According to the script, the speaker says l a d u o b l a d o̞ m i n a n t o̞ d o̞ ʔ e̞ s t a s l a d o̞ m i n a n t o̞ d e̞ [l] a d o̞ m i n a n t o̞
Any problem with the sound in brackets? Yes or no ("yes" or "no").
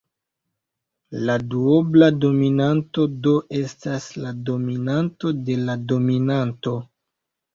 no